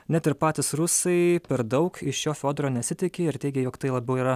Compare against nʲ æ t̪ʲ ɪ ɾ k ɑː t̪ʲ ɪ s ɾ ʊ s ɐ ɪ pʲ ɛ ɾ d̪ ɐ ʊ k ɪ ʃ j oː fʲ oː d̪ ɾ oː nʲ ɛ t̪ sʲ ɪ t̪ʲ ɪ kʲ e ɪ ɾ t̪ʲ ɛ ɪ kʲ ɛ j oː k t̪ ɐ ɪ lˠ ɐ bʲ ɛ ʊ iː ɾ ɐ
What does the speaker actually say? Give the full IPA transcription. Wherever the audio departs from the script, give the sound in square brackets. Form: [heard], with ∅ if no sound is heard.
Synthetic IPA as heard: nʲ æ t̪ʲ ɪ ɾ [p] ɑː t̪ʲ ɪ s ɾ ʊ s ɐ ɪ pʲ ɛ ɾ d̪ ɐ ʊ k ɪ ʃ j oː fʲ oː d̪ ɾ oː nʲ ɛ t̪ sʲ ɪ t̪ʲ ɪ kʲ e ɪ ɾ t̪ʲ ɛ ɪ [ɡʲ] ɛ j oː k t̪ ɐ ɪ lˠ ɐ bʲ ɛ ʊ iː ɾ ɐ